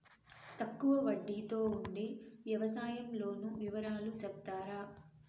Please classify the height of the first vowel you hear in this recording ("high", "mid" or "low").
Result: low